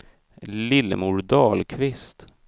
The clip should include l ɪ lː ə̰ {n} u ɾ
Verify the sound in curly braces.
incorrect: m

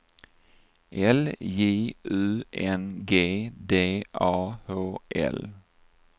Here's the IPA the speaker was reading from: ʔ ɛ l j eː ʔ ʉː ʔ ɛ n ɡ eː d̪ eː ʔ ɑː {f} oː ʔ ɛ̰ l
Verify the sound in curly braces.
incorrect: h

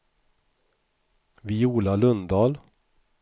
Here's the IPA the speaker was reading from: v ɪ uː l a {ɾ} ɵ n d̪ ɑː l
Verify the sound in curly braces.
incorrect: l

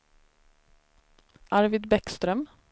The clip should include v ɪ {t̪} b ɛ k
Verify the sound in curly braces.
incorrect: d̪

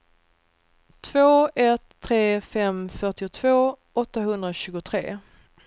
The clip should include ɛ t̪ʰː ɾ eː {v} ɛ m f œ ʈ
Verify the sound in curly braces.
incorrect: f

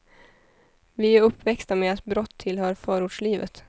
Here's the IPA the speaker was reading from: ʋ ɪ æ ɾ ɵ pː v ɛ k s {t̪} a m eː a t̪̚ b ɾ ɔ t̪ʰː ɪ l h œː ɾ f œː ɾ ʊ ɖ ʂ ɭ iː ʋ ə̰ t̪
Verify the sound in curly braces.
correct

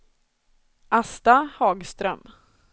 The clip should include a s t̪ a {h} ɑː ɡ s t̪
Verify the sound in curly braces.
correct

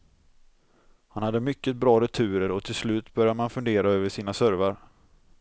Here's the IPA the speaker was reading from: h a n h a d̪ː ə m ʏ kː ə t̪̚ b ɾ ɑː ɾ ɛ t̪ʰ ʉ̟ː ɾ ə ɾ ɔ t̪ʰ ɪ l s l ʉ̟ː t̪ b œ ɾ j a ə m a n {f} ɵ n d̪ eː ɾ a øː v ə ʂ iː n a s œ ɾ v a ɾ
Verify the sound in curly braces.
correct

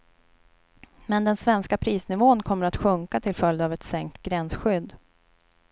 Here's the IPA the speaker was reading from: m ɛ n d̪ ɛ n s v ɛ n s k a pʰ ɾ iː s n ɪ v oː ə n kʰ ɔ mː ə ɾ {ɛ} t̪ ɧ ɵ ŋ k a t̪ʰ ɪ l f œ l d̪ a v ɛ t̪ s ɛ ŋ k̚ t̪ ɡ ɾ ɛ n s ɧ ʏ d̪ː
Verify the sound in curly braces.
incorrect: a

